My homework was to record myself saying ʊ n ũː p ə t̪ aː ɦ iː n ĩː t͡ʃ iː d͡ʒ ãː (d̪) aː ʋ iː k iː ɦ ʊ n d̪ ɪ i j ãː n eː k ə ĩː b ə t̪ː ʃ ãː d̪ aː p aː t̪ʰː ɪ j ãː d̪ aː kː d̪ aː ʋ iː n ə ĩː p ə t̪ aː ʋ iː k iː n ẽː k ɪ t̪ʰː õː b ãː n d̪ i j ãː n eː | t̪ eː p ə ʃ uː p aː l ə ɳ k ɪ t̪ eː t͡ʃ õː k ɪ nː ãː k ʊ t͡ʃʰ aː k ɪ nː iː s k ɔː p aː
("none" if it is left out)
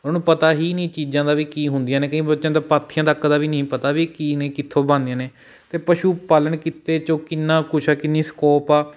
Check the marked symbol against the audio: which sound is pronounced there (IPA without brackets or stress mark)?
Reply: d̪